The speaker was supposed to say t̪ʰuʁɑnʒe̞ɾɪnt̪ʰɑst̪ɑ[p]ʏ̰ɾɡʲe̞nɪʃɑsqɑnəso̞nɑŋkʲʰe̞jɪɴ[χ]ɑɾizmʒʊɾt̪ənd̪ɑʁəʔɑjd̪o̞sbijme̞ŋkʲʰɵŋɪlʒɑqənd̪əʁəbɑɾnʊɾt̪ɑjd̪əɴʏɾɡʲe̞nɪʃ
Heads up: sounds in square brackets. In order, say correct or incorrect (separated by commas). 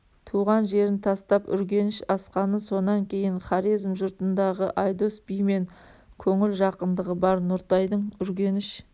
correct, correct